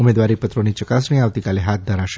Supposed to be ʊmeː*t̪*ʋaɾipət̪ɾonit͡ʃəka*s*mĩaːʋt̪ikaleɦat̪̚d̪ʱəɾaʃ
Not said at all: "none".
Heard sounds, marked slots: d̪, s

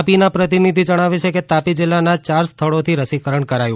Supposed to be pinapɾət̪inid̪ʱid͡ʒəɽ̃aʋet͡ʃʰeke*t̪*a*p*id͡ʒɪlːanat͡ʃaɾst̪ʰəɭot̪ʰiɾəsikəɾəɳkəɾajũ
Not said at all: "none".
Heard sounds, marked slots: t̪, p

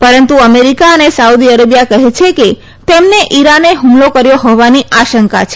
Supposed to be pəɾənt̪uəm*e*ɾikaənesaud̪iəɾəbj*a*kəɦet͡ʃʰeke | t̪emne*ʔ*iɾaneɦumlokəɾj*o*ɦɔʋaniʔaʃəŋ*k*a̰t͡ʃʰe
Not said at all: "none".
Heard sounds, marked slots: e, a, ʔ, o, k

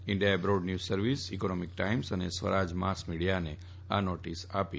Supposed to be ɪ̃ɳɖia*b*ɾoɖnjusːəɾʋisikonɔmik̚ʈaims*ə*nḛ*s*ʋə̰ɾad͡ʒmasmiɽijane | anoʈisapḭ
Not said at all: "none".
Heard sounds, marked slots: b, ə, s

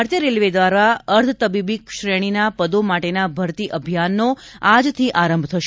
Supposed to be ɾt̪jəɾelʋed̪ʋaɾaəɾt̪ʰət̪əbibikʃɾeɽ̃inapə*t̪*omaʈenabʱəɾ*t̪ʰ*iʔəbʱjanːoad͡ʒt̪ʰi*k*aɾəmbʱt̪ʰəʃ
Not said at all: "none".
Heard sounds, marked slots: d̪, t̪, ʔ

